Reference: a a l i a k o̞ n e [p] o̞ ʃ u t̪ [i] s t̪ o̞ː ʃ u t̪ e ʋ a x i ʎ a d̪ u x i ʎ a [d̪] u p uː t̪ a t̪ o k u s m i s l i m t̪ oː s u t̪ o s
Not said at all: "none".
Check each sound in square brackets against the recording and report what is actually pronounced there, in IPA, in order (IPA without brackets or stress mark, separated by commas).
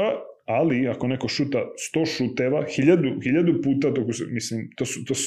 k, a, d̪